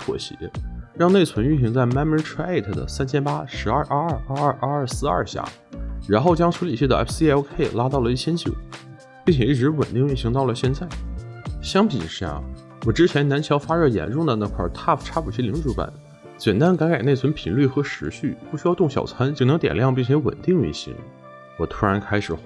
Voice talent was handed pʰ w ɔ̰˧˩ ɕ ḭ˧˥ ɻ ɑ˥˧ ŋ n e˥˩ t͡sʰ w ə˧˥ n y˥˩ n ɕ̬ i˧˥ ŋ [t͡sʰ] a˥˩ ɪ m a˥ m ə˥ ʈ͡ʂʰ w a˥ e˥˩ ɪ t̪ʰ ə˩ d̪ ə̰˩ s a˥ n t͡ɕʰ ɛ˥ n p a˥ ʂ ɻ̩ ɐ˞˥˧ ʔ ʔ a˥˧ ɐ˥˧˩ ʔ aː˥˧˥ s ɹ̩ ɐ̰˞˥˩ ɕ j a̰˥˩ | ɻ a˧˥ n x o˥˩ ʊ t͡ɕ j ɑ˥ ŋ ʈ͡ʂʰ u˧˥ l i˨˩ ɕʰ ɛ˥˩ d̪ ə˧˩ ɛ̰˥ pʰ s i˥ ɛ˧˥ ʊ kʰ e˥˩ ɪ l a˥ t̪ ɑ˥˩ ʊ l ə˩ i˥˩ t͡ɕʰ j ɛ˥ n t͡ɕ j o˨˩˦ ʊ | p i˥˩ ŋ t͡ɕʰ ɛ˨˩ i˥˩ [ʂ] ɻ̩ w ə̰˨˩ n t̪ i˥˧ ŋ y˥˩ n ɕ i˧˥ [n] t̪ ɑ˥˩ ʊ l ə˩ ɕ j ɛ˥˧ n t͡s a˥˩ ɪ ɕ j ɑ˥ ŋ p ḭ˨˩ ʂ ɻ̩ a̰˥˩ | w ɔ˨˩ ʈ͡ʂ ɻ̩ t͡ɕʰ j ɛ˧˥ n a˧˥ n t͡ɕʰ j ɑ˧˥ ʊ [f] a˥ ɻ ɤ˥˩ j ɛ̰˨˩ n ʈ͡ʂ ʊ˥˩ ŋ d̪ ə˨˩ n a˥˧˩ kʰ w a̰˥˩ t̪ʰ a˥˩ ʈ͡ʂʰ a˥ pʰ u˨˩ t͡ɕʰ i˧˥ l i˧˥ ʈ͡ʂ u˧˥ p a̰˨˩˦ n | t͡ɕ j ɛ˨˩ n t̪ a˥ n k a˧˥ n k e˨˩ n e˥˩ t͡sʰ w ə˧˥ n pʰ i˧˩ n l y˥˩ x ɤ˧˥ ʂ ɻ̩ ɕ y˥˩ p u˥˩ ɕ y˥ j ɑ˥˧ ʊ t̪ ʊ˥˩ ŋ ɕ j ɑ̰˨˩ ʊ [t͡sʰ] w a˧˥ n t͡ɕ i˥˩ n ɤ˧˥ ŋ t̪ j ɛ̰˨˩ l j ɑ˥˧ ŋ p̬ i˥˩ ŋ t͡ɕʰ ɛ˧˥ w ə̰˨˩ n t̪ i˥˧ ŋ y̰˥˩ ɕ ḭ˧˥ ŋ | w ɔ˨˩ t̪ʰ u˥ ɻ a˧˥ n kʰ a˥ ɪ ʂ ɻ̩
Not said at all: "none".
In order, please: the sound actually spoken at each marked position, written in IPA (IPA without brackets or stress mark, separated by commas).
t͡s, ʈ͡ʂ, ŋ, f, t͡sʰ